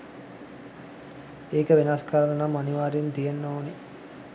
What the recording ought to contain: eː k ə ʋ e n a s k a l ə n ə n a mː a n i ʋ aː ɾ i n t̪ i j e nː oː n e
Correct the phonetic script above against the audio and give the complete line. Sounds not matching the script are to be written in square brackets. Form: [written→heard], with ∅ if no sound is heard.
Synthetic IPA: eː k ə ʋ e n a s k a [l→ɾ] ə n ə n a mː a n i ʋ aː ɾ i n t̪ i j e nː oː n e